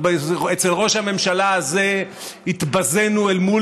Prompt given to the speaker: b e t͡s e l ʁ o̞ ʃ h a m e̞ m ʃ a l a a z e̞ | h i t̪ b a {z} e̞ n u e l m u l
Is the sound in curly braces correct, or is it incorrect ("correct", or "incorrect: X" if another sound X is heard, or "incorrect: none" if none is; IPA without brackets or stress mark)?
correct